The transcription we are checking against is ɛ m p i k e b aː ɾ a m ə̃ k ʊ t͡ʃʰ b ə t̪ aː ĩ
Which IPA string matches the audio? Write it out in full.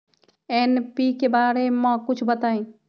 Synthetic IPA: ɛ n p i k e b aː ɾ e m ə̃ k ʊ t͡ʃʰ b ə t̪ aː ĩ

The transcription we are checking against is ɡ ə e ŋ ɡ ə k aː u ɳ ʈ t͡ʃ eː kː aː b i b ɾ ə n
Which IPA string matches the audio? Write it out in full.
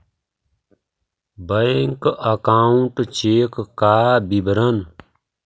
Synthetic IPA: b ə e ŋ k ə k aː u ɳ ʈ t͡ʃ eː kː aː b i b ɾ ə n

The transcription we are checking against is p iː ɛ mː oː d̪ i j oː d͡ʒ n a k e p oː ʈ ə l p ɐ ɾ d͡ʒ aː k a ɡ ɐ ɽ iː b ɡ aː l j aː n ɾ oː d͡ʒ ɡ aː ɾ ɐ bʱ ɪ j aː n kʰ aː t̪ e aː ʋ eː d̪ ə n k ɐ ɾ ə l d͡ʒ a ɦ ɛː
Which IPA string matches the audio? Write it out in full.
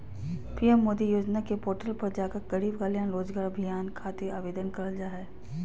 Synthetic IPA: p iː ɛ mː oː d̪ i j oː d͡ʒ n a k e p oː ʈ ə l p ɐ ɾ d͡ʒ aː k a ɡ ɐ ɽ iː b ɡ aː l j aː n ɾ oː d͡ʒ ɡ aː ɾ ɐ bʱ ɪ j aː n kʰ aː t̪ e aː ʋ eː d̪ ə n k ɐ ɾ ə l d͡ʒ a ɦ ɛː

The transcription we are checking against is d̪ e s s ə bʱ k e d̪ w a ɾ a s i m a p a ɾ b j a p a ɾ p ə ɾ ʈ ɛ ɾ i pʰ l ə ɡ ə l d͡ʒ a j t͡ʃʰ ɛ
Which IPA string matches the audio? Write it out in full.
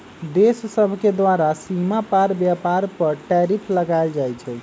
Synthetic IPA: d̪ e s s ə bʱ k e d̪ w a ɾ a s i m a p a ɾ b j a p a ɾ p ə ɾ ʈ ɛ ɾ i pʰ l ə ɡ a l d͡ʒ a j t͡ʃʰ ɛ

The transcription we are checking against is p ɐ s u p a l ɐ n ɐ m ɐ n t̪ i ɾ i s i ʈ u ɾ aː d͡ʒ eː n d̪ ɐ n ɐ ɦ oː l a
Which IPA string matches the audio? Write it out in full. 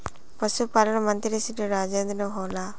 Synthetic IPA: p ɐ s u p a l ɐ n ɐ m ɐ n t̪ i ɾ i s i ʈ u ɾ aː d͡ʒ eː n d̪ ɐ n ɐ ɦ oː l a

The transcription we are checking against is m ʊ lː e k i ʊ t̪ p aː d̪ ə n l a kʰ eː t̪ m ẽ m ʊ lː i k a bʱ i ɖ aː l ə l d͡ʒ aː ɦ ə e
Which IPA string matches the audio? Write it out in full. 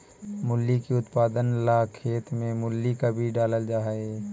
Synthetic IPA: m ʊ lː i k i ʊ t̪ p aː d̪ ə n l a kʰ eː t̪ m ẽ m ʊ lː i k a bʱ i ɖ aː l ə l d͡ʒ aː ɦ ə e

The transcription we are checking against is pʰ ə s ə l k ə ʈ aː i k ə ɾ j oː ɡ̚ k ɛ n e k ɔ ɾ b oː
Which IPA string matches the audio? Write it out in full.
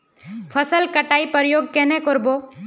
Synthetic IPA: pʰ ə s ə l k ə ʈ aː i p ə ɾ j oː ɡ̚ k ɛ n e k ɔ ɾ b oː

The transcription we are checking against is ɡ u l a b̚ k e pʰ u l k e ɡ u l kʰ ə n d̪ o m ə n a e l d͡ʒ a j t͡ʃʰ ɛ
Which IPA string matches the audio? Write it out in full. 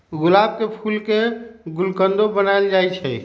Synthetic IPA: ɡ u l a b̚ k e pʰ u l k e ɡ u l k ə n d̪ o b ə n a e l d͡ʒ a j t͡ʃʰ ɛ

